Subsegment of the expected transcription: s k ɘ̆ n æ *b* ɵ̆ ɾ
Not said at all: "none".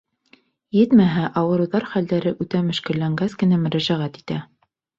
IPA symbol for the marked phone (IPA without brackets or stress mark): m